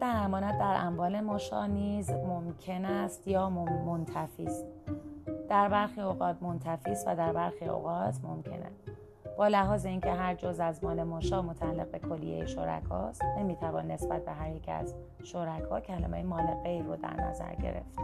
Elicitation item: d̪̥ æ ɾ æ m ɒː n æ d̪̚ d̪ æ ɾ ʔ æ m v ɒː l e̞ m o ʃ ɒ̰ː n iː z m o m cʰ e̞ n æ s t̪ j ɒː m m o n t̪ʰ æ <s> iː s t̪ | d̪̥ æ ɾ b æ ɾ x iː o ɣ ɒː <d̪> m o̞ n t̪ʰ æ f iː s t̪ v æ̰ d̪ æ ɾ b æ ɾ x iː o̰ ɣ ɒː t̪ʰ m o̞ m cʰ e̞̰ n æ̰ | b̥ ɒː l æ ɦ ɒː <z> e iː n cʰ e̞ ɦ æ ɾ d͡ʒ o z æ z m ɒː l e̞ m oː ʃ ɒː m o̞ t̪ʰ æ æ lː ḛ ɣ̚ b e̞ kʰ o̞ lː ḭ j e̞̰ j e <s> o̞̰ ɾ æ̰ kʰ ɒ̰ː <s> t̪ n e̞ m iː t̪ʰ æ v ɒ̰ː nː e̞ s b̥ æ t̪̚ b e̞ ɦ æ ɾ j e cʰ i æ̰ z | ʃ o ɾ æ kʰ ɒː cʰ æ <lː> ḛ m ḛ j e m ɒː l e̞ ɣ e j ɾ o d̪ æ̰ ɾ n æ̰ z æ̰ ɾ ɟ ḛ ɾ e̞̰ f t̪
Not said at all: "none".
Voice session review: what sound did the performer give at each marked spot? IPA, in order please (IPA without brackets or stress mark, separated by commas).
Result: f, t̪, z, ʃ, s, l